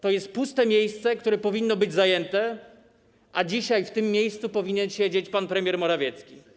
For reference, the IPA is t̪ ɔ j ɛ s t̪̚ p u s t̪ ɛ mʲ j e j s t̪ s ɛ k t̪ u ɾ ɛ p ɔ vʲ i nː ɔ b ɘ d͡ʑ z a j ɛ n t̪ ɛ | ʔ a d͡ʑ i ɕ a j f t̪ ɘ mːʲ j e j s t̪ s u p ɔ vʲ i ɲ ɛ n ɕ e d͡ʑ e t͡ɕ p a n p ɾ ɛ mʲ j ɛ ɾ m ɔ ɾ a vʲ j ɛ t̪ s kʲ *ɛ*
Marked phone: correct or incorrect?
incorrect